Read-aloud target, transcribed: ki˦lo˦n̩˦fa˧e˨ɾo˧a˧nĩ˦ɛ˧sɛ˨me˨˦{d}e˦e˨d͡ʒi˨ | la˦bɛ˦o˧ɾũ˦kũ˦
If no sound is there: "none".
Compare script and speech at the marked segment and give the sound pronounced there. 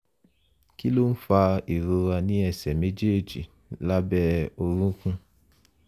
d͡ʒ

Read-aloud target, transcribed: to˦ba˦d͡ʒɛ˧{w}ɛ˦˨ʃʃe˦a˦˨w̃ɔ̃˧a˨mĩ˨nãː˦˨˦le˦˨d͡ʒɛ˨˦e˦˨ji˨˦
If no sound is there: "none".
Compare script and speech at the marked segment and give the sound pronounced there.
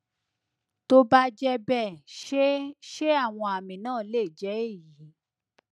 b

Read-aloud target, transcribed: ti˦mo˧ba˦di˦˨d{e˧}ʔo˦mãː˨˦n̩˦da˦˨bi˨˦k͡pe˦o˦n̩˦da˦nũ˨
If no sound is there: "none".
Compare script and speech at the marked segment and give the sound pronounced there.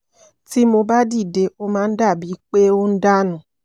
e˧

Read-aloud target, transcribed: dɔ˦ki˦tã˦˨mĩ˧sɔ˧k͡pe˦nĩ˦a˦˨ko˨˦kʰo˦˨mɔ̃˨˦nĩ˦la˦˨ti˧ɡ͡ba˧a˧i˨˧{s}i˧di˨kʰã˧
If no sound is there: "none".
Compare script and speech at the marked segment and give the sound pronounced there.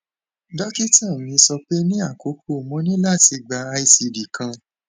s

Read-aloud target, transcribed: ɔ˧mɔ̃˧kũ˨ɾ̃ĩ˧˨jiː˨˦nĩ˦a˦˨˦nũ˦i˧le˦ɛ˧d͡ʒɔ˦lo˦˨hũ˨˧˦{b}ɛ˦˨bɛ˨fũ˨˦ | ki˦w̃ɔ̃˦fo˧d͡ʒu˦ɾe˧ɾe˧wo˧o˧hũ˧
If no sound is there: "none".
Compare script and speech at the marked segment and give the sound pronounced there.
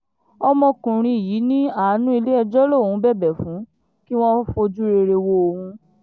b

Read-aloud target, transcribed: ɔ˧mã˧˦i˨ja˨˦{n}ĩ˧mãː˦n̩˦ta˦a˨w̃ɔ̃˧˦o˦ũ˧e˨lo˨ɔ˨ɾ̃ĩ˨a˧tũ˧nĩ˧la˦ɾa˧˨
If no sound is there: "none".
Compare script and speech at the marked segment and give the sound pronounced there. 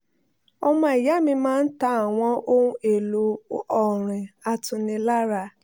m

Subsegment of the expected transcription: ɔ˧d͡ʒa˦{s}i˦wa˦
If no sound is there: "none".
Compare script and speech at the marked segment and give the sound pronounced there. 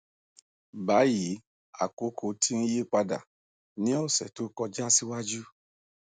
s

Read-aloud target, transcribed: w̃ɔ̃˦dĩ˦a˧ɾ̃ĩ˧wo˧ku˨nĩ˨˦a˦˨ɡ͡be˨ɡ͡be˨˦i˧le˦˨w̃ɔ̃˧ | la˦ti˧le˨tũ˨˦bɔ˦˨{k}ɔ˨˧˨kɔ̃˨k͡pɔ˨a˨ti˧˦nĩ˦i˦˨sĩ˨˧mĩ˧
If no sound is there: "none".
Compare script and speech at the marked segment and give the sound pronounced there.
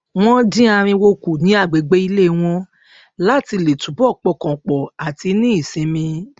k͡p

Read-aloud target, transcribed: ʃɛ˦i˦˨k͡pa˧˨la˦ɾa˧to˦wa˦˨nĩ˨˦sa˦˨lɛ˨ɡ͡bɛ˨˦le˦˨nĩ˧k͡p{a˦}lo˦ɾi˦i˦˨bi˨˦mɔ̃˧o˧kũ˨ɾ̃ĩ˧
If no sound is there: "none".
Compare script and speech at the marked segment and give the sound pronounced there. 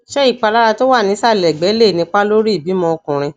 a˦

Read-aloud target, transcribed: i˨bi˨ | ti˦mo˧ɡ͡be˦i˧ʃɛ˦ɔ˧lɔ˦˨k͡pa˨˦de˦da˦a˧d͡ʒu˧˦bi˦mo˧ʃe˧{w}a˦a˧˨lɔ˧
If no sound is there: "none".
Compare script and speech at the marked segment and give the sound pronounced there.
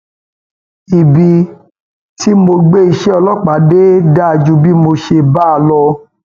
b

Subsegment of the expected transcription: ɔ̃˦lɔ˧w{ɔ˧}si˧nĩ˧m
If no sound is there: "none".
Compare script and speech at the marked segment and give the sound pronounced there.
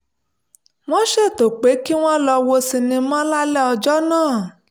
o˧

